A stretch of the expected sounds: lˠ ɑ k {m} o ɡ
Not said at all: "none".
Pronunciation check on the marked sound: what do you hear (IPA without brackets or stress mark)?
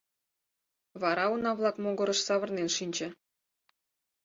m